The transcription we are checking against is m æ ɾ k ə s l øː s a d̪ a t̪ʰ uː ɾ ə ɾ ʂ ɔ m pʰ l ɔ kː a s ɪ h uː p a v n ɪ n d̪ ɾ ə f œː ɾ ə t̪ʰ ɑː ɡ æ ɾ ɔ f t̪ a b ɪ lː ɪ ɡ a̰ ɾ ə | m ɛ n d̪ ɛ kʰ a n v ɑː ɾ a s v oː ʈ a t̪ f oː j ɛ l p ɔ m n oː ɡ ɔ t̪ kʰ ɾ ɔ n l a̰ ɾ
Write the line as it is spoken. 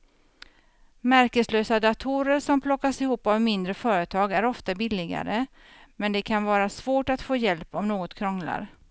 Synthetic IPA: m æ ɾ k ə s l øː s a d̪ a t̪ʰ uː ɾ ə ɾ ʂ ɔ m pʰ l ɔ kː a s ɪ h uː p a v m ɪ n d̪ ɾ ə f œː ɾ ə t̪ʰ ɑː ɡ æ ɾ ɔ f t̪ a b ɪ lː ɪ ɡ a̰ ɾ ə | m ɛ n d̪ ɛ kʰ a n v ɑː ɾ a s v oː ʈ a t̪ f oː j ɛ l p ɔ m n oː ɡ ɔ t̪ kʰ ɾ ɔ ŋ l a̰ ɾ

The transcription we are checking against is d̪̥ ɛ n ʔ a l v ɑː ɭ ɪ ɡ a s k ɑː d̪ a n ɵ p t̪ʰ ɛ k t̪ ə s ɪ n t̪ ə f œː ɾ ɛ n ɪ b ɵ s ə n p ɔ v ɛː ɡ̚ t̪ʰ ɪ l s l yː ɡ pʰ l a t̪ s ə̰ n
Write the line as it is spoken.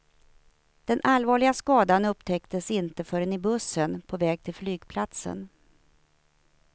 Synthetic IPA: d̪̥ ɛ n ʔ a l v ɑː ɭ ɪ ɡ a s k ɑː d̪ a n ɵ p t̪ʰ ɛ k t̪ ə s ɪ n t̪ ə f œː ɾ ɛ n ɪ b ɵ s ə n pʰ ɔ v ɛː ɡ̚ t̪ʰ ɪ l f l yː ɡ pʰ l a t̪ s ə̰ n

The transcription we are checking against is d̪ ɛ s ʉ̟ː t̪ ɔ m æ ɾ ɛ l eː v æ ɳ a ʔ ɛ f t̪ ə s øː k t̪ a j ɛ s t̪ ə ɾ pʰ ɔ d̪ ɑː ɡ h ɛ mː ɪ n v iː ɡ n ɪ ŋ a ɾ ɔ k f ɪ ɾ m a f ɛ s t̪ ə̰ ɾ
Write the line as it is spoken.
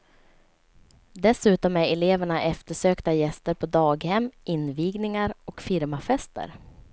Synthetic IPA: d̪ ɛ s ʉ̟ː t̪ ɔ m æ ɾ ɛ l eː v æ ɳ a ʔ ɛ f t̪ ə ʂ øː k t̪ a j ɛ s t̪ ə ɾ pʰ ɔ d̪ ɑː ɡ h ɛ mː ɪ n v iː ɡ n ɪ ŋ a ɾ ɔ k f ɪ ɾ m a f ɛ s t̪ ə̰ ɾ

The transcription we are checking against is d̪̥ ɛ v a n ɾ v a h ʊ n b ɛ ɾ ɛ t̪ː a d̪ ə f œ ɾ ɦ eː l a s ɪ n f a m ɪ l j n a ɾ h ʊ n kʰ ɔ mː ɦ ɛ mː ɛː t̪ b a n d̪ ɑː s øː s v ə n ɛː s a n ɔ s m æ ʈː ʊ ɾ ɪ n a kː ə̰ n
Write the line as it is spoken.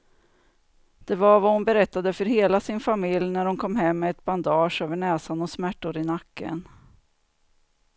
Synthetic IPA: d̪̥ ɛ v a ɾ v a h ʊ n b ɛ ɾ ɛ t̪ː a d̪ ə f œ ɾ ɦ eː l a s ɪ n f a m ɪ l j n æ ɾ h ʊ n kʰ ɔ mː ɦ ɛ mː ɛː t̪ b a n d̪ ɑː ʂ øː v ə ɳ ɛː s a n ɔ s m æ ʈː ʊ ɾ ɪ n a kː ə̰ n

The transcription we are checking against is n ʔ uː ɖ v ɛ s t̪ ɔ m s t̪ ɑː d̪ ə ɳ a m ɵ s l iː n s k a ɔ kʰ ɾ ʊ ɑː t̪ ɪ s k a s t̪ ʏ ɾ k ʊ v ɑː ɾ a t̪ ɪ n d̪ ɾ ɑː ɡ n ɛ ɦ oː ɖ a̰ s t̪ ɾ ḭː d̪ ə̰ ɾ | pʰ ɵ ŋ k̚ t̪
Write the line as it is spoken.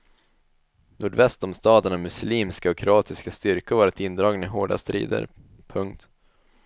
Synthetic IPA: n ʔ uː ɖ v ɛ s t̪ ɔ m s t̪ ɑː d̪ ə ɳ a m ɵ s l iː m s k a ɔ kʰ ɾ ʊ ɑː t̪ ɪ s k a s t̪ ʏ ɾ k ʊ v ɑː ɾ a t̪ ɪ n d̪ ɾ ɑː ɡ n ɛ ɦ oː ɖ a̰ s t̪ ɾ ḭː d̪ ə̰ ɾ | pʰ ɵ ŋ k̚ t̪

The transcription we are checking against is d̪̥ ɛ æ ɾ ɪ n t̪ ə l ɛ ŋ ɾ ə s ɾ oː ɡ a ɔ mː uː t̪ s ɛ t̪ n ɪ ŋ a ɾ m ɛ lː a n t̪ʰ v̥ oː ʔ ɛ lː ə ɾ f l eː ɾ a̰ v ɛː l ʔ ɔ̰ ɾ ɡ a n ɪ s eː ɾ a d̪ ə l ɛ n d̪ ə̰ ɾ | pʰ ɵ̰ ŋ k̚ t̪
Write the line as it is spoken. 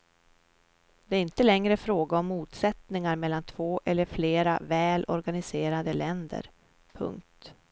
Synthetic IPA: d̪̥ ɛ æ ɾ ɪ n t̪ ə l ɛ ŋ ɾ ə f ɾ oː ɡ a ɔ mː uː t̪ s ɛ t̪ n ɪ ŋ a ɾ m ɛ lː a n t̪ʰ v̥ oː ʔ ɛ lː ə ɾ f l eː ɾ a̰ v ɛː l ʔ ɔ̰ ɾ ɡ a n ɪ s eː ɾ a d̪ ə l ɛ n d̪ ə̰ ɾ | pʰ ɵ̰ ŋ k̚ t̪

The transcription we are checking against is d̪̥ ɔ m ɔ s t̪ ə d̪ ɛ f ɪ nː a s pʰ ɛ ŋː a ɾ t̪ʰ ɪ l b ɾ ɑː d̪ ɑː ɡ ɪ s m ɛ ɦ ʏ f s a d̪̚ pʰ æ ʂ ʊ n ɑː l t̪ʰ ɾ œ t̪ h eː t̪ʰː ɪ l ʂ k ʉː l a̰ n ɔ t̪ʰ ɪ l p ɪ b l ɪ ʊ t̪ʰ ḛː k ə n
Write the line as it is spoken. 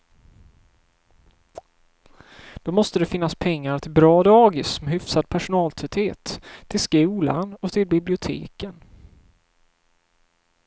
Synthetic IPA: d̪̥ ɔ m ɔ s t̪ ə d̪ ɛ f ɪ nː a s pʰ ɛ ŋː a ɾ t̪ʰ ɪ l b ɾ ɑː d̪ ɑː ɡ ɪ s m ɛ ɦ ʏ f s a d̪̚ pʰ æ ʂ ʊ n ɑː l t̪ʰ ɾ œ t̪ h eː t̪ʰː ɪ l s k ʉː l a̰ n ɔ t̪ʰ ɪ l b ɪ b l ɪ ʊ t̪ʰ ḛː k ə n

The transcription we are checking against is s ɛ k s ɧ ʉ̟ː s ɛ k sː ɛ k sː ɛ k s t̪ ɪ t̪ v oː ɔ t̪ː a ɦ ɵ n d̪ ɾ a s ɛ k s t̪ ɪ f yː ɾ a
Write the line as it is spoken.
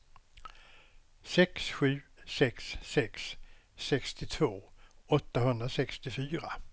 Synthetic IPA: s ɛ k s ɧ ʉ̟ː s ɛ k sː ɛ k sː ɛ k s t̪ ɪ t̪ʰ v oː ɔ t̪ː a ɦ ɵ n d̪ ɾ a s ɛ k s t̪ ɪ f yː ɾ a

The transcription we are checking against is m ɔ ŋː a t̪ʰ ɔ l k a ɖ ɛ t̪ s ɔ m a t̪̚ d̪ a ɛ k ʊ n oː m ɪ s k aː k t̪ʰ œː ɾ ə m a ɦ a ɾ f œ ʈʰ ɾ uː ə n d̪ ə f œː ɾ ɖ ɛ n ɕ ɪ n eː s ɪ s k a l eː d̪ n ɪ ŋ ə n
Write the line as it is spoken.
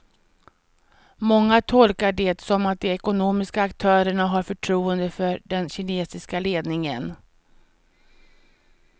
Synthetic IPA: m ɔ ŋː a t̪ʰ ɔ l k a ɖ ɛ t̪ s ɔ m a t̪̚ d̪ ɛ ɛ k ʊ n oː m ɪ s k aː k t̪ʰ œː ɾ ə ɳ a ɦ a ɾ f œ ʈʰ ɾ uː ə n d̪ ə f œ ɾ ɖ ɛ n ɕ ɪ n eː s ɪ s k a l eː d̪ n ɪ ŋ ə n

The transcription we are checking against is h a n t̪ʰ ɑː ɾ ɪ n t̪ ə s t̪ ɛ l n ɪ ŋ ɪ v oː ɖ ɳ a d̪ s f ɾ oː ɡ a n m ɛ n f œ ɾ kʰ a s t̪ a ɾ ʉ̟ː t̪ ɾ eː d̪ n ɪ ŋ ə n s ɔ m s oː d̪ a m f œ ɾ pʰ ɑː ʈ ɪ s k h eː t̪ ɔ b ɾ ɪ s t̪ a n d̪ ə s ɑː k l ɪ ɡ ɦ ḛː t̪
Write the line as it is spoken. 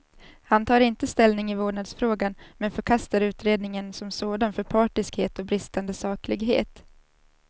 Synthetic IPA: h a n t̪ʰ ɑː ɾ ɪ n t̪ ə s t̪ ɛ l n ɪ ŋ ɪ v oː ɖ ɳ a d̪ s f ɾ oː ɡ a n m ɛ n f œ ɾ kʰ a s t̪ a ɾ ʉ̟ː t̪ ɾ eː d̪ n ɪ ŋ ə n s ɔ m s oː d̪ a n f œ ɾ pʰ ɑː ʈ ɪ s k h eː t̪ ɔ b ɾ ɪ s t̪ a n d̪ ə s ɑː k l ɪ ɡ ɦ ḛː t̪

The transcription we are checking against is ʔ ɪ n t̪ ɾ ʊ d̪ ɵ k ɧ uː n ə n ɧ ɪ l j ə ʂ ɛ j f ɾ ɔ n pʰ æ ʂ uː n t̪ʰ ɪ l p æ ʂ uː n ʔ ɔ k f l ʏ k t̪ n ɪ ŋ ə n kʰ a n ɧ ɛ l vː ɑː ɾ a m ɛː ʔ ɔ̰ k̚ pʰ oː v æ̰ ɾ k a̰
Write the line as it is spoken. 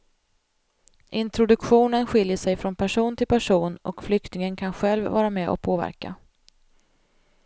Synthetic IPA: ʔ ɪ n t̪ ɾ ʊ d̪ ɵ k ɧ uː n ə n ɧ ɪ l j ə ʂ ɛ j f ɾ ɔ n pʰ æ ʂ uː n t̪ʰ ɪ l p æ ʂ uː n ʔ ɔ k f l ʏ k t̪ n ɪ ŋ ə n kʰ a n ɧ ɛ l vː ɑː ɾ a m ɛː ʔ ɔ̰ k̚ pʰ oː v æ̰ ɾ k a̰

